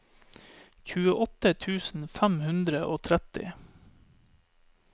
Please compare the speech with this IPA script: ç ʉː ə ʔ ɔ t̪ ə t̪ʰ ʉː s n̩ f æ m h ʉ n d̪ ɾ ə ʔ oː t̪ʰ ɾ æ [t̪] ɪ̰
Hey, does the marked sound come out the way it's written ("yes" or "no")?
yes